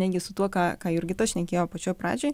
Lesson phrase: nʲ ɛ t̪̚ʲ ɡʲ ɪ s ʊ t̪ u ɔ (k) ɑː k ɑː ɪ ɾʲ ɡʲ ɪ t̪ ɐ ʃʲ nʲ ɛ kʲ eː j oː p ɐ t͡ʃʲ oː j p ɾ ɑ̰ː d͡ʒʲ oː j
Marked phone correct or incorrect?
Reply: correct